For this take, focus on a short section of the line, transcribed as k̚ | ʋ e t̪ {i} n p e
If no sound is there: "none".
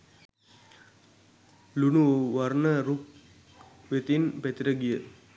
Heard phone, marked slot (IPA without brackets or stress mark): i